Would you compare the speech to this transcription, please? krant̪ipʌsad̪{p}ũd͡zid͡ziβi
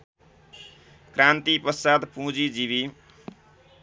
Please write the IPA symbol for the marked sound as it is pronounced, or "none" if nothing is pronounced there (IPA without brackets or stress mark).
p